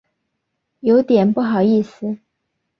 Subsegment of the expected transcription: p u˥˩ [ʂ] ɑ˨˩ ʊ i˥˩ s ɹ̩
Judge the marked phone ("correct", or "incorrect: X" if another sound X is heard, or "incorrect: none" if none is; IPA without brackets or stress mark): incorrect: x